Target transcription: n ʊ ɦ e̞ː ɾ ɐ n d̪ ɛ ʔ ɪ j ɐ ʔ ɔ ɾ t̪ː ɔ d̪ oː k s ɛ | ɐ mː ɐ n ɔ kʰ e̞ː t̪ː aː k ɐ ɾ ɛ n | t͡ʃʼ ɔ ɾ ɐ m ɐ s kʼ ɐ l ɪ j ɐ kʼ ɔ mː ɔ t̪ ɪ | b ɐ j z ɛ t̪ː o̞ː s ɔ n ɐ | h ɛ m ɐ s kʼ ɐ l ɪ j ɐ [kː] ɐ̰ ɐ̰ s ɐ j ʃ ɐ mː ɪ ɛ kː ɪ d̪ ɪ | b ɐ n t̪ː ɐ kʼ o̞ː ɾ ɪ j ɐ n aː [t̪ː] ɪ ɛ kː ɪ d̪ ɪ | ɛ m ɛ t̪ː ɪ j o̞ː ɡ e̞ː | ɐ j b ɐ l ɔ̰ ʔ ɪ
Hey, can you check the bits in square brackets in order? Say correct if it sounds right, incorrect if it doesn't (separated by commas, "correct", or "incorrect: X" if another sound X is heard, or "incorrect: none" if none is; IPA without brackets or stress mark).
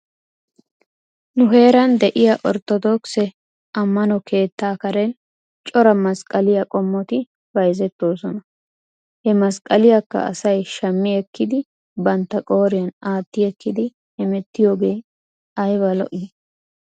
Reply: correct, correct